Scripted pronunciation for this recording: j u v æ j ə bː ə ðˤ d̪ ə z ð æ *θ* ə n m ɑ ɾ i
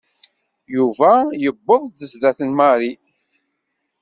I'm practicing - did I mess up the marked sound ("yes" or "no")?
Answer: no